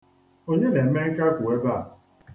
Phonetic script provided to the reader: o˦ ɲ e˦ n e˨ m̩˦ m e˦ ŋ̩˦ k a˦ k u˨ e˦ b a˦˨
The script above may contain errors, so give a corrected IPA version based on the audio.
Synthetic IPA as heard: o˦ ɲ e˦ n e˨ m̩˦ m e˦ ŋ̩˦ k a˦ k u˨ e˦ b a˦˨